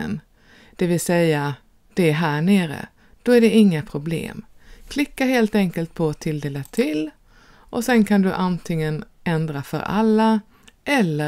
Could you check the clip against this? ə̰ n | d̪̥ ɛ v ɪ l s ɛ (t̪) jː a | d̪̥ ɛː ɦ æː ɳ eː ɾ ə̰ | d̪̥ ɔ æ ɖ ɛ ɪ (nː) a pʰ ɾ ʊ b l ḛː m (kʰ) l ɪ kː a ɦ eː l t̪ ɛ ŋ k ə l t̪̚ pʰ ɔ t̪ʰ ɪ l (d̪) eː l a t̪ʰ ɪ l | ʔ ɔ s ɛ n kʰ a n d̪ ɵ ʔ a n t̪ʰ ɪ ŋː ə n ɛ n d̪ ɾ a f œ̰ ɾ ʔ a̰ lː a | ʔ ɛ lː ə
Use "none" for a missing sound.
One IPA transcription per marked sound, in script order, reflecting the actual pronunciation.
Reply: none, ŋː, kʰ, d̪

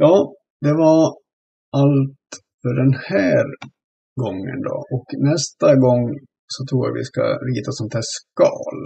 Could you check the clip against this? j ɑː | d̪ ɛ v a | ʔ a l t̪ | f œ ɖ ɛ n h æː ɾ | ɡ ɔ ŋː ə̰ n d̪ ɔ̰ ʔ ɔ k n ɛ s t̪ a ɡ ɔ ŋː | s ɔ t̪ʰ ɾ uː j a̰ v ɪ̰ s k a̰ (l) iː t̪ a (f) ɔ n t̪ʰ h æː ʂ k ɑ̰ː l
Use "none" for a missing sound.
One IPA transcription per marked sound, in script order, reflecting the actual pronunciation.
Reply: ɾ, s

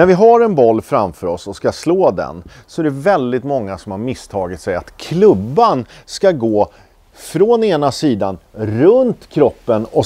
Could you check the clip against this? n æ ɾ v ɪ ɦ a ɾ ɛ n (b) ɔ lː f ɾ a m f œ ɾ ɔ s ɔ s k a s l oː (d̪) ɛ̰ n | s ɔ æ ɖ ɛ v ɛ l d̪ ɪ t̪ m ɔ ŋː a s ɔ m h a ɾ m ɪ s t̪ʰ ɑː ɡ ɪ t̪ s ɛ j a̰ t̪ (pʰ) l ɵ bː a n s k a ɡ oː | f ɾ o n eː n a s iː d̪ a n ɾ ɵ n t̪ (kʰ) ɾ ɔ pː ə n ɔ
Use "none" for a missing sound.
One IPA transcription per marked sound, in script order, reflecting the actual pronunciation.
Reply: b, d̪, kʰ, kʰ

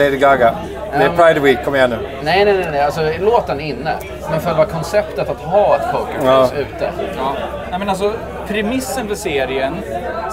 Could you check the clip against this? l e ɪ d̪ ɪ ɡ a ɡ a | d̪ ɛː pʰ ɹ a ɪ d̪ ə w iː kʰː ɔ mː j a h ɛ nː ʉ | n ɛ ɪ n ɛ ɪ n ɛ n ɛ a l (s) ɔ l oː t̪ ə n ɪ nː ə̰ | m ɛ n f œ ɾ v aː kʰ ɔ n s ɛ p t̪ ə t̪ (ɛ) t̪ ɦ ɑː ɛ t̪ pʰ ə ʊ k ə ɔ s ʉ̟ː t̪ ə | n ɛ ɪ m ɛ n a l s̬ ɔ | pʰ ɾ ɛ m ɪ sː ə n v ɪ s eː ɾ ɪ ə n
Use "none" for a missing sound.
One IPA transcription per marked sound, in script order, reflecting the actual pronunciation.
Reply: s, a

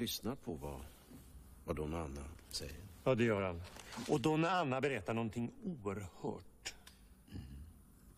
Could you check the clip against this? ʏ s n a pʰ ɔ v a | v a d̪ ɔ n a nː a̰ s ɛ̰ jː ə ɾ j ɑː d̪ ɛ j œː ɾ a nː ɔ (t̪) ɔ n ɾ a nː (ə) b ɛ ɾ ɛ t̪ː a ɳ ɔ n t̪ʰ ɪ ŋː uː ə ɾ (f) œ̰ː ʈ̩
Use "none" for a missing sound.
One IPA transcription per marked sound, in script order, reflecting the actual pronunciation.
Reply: d̪, a, h

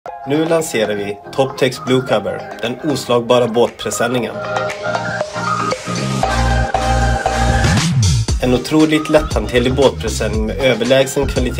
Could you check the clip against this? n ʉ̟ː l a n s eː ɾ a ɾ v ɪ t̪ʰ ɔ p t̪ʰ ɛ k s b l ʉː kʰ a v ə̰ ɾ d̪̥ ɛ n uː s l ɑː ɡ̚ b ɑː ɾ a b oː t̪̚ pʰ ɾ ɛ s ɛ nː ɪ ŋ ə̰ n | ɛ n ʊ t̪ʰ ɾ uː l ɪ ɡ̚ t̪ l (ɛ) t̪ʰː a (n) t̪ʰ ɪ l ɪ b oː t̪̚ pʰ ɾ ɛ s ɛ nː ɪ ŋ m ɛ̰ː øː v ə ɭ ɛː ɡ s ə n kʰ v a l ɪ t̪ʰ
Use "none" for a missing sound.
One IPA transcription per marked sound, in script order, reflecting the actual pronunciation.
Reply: ɛ, n

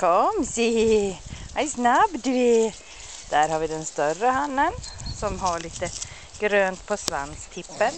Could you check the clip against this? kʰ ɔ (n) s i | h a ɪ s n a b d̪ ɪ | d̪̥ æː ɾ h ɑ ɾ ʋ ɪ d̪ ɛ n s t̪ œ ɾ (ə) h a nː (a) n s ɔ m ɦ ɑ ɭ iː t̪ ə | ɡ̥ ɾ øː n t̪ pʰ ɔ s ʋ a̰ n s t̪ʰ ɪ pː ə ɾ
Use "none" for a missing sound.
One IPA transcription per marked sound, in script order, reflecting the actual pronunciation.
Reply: m, ə, ə

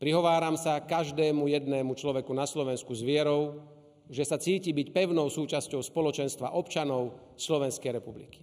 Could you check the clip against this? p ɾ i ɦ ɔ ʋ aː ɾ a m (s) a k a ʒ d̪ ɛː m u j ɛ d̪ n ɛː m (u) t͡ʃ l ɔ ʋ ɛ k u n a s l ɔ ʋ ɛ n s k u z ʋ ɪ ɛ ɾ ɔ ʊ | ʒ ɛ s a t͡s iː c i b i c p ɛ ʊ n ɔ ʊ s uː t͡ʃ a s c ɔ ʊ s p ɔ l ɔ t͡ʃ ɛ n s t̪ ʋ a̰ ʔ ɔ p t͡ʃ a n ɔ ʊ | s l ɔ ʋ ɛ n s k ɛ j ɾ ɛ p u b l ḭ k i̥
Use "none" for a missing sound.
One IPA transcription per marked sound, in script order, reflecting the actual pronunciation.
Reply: s, u

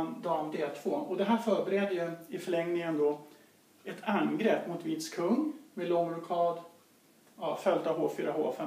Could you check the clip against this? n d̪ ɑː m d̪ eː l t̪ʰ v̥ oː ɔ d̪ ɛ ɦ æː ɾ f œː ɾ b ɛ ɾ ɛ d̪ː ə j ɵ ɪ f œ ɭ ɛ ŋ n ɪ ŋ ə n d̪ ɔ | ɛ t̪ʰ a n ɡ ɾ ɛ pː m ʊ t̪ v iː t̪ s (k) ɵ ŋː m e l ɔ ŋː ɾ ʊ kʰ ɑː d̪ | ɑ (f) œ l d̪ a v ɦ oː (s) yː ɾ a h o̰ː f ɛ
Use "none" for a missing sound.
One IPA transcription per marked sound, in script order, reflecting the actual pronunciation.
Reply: kʰ, f, f

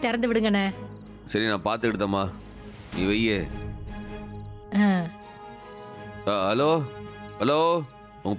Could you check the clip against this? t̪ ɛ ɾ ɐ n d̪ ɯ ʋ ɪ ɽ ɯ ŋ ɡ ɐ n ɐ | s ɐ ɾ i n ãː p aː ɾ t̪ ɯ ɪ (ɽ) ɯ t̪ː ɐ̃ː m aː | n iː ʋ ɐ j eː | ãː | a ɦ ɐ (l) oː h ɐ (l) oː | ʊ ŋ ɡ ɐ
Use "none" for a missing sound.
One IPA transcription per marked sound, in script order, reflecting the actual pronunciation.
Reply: ɽ, l, l

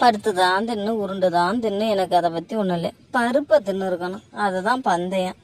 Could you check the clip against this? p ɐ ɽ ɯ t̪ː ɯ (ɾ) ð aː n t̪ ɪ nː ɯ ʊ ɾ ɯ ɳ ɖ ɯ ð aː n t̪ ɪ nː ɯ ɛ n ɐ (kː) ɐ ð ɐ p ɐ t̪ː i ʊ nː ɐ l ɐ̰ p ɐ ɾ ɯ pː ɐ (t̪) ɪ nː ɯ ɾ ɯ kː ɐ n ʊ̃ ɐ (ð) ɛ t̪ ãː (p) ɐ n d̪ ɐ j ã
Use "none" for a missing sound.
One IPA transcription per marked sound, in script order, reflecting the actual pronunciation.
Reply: none, kː, t̪, ð, p

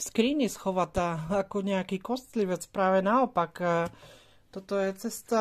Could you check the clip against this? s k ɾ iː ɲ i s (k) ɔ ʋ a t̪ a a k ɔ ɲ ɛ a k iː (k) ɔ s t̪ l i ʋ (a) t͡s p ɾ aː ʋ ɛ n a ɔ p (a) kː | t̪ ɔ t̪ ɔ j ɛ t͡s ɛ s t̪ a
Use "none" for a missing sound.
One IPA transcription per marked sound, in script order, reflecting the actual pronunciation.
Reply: x, k, ɛ, a

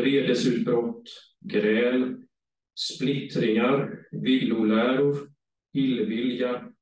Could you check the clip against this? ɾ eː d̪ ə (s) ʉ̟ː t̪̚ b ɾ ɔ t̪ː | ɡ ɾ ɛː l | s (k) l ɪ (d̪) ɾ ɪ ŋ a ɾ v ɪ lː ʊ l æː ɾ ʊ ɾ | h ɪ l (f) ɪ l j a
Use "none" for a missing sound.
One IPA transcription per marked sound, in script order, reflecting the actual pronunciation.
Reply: s, p, t̪, v

